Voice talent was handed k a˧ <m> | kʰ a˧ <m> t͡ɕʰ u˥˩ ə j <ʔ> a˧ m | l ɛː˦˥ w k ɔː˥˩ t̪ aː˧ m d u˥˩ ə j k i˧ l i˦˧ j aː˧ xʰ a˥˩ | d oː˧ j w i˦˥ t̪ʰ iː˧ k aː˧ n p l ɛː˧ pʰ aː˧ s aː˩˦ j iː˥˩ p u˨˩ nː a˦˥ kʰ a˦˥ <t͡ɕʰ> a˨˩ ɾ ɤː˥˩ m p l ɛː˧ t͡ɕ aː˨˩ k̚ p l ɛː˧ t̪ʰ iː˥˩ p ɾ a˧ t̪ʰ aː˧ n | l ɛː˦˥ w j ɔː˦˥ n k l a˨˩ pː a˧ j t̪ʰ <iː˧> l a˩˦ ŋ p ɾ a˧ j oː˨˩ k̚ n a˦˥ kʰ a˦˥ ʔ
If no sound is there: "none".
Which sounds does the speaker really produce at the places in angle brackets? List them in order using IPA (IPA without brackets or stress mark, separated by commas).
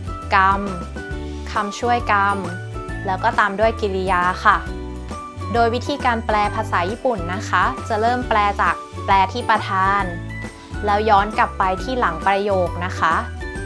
m, m, k, t͡ɕ, iː˥˩